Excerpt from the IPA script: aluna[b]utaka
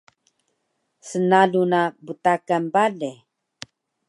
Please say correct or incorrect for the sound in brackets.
correct